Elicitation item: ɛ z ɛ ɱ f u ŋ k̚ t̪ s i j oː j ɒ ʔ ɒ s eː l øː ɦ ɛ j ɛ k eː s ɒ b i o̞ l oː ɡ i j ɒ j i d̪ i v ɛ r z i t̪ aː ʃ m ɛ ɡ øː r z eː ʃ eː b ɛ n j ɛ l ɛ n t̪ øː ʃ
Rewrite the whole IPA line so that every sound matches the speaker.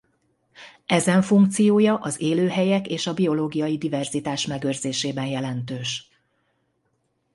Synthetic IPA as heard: ɛ z ɛ ɱ f u ŋ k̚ t̪ s i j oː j ɒ ʔ ɒ z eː l øː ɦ ɛ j ɛ k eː ʃ ɒ b i o̞ l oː ɡ i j ɒ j i d̪ i v ɛ r z i t̪ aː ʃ m ɛ ɡ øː r z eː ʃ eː b ɛ n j ɛ l ɛ n t̪ øː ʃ